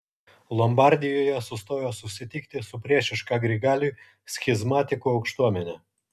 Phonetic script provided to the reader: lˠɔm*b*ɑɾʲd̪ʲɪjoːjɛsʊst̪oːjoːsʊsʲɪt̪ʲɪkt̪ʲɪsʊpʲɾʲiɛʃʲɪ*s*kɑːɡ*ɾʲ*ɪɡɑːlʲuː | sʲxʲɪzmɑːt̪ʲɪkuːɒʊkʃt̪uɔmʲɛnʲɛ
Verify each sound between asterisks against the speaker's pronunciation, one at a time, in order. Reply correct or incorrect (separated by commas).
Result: correct, incorrect, correct